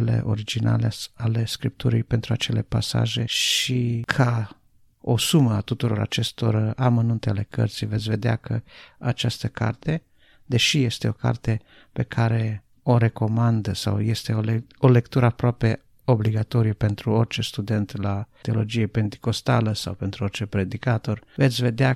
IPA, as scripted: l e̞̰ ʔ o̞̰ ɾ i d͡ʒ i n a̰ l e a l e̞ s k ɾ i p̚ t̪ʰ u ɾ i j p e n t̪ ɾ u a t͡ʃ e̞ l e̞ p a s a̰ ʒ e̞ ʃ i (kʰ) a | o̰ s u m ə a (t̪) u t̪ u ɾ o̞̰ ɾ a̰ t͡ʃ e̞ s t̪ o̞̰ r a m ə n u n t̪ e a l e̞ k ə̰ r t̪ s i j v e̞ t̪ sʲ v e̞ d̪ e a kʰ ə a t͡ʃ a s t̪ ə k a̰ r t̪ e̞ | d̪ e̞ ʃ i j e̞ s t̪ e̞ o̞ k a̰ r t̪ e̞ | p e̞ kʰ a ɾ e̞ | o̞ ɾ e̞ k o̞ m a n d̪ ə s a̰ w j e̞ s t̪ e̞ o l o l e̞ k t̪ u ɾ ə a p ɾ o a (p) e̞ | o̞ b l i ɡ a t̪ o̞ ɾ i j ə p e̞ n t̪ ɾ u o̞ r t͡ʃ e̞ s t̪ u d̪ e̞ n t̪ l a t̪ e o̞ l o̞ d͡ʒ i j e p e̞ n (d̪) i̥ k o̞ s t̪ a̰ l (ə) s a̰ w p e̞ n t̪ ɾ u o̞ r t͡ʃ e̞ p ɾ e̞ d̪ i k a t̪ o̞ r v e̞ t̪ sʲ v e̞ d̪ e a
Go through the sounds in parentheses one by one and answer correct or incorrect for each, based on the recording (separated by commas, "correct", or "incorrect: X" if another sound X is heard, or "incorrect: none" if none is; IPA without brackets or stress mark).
correct, correct, correct, incorrect: t̪, correct